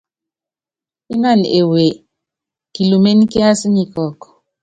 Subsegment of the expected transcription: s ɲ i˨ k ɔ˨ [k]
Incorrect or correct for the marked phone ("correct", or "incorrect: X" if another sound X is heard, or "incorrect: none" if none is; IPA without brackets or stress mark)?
correct